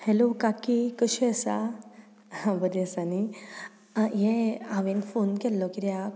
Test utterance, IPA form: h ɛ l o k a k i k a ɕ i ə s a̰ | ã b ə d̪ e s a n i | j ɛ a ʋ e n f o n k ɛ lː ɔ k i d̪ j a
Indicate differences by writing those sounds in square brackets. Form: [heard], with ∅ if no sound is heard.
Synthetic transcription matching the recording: h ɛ l o k a k i k [ə] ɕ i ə s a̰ | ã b ə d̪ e s a n i | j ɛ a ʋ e n f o n k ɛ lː ɔ k i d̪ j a